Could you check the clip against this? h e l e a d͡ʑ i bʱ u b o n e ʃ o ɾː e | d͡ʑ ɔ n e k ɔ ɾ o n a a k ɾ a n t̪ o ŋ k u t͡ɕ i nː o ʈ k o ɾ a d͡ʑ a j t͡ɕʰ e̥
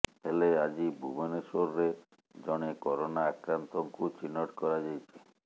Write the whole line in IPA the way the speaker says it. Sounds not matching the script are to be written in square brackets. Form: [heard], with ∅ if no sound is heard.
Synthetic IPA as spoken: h e l e a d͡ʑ i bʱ u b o n e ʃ o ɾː e | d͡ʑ ɔ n e k ɔ ɾ o n a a k ɾ a n t̪ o ŋ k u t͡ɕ i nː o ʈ k [ɔ] ɾ a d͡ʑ a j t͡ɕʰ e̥